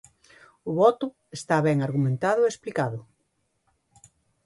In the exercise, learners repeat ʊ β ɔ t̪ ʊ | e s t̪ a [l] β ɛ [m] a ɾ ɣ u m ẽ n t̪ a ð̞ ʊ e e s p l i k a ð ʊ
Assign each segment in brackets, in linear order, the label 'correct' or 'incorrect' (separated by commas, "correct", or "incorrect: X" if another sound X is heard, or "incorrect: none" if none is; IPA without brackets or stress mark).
incorrect: none, incorrect: ŋ